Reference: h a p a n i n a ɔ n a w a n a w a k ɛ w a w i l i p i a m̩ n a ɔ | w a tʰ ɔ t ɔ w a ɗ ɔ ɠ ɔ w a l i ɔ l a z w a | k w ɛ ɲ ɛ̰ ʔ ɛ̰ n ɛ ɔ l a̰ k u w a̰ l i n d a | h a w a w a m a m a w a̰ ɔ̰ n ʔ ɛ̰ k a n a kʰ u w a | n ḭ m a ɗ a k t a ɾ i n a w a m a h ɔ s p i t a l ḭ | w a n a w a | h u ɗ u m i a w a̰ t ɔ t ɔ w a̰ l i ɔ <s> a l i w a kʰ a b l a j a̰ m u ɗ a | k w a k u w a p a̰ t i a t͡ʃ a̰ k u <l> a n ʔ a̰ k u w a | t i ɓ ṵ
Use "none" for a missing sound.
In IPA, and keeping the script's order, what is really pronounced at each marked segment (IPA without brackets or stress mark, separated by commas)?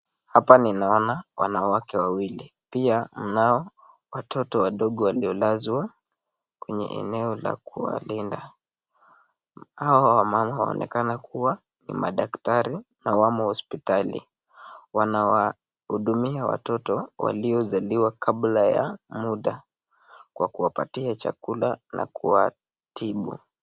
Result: z, l